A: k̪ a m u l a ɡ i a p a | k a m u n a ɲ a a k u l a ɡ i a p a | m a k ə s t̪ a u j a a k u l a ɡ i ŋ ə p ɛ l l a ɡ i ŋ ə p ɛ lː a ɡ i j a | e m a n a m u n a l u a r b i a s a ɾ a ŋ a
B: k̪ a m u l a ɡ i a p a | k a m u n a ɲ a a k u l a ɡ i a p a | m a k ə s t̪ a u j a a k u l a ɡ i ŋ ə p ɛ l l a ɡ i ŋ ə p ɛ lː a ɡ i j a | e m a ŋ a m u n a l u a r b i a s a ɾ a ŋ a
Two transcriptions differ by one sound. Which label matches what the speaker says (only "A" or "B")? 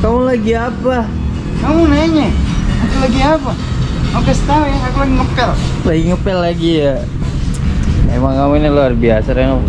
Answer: B